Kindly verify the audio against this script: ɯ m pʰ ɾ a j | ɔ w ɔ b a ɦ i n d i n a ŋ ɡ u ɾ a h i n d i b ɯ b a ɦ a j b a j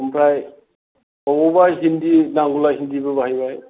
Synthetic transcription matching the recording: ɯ m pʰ ɾ a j | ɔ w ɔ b a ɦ i n d i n a ŋ ɡ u l a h i n d i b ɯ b a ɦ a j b a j